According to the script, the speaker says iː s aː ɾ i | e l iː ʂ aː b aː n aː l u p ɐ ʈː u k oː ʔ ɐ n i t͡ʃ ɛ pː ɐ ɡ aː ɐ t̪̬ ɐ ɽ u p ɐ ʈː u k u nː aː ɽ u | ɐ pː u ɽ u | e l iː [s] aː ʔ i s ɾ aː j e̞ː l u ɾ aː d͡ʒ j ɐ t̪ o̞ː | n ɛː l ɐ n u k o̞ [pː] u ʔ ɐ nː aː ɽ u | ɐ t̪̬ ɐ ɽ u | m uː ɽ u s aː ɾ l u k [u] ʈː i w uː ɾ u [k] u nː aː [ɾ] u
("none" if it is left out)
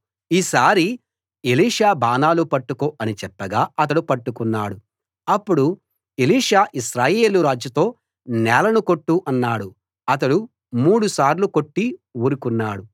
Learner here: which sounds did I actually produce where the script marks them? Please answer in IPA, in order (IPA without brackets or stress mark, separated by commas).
ʂ, ʈː, o, k, ɽ